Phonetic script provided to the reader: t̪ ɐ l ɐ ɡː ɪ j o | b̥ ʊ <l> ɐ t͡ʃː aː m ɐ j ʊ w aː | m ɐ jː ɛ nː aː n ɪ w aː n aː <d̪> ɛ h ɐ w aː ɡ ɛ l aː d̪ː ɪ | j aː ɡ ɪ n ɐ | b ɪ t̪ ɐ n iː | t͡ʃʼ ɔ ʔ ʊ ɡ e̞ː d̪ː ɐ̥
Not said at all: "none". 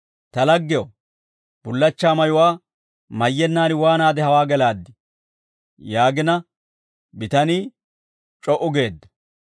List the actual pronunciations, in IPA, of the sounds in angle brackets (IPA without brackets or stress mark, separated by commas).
lː, d̪